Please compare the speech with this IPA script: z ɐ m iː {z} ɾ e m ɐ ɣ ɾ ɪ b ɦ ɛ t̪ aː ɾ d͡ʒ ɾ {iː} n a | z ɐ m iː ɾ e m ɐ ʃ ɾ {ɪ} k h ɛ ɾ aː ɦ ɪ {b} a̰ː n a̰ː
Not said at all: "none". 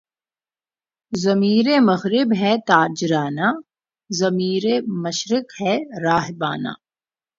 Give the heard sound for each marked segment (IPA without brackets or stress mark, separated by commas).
none, aː, ɪ, b